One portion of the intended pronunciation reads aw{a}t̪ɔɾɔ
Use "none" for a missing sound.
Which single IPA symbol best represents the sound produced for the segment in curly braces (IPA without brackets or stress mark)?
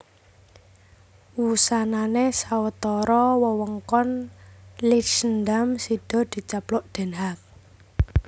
ə